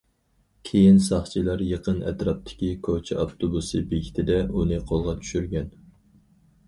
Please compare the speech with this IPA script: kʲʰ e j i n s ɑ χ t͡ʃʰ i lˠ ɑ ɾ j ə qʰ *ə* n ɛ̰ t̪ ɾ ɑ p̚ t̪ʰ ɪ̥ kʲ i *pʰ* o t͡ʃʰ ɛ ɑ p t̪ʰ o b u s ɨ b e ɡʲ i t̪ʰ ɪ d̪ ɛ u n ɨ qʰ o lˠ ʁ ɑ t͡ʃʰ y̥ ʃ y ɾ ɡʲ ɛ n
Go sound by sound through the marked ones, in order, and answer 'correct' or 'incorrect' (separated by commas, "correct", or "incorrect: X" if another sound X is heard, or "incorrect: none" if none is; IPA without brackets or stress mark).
correct, incorrect: kʰ